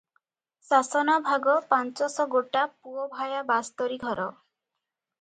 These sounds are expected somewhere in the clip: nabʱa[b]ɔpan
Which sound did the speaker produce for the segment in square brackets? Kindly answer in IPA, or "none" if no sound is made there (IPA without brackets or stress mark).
ɡ